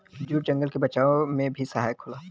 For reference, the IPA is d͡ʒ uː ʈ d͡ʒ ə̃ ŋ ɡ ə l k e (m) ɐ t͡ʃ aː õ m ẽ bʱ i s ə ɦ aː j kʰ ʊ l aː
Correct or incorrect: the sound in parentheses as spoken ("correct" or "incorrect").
incorrect